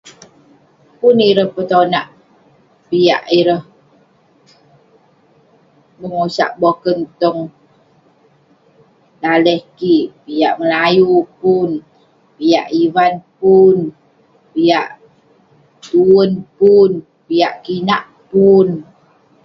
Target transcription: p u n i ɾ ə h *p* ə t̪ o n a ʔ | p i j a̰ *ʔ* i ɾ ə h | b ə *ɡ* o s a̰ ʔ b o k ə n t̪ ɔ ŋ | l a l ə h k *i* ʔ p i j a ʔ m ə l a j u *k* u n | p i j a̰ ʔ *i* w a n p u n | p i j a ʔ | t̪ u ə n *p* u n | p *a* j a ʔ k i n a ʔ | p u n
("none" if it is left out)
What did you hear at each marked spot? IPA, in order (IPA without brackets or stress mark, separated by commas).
p, ʔ, ŋ, i, p, i, p, i